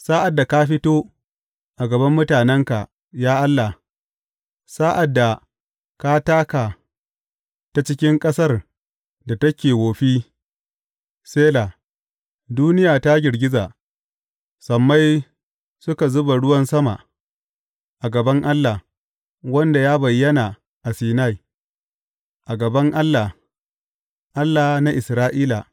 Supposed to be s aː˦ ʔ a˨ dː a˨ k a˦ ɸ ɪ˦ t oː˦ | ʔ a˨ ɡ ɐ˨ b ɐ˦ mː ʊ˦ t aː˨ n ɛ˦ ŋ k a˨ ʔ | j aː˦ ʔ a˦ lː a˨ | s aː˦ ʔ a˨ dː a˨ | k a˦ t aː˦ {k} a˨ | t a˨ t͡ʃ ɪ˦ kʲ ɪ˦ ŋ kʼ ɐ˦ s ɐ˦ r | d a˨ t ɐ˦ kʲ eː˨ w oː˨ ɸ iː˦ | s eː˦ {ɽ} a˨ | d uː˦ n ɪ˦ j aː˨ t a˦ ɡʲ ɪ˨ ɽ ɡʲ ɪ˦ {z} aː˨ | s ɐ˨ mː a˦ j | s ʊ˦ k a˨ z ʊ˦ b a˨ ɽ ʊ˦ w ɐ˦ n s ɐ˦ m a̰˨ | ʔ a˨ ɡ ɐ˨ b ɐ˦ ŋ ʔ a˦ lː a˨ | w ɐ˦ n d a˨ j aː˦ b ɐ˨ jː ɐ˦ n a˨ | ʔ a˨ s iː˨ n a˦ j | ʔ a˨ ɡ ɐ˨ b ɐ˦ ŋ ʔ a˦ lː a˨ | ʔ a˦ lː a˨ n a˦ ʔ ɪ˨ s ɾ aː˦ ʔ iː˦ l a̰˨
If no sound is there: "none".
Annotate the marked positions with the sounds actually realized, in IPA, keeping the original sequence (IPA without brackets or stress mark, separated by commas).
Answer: k, l, z